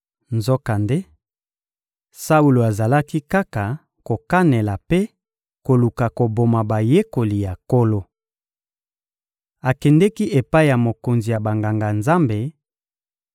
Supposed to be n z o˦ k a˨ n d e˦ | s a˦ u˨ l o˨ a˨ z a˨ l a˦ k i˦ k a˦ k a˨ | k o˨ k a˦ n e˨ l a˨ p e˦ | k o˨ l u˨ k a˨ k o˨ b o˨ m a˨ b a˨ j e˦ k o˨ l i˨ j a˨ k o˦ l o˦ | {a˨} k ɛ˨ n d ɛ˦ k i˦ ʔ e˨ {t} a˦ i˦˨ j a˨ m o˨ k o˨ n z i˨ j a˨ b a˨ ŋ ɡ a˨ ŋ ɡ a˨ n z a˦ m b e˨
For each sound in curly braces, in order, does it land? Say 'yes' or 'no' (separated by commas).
yes, no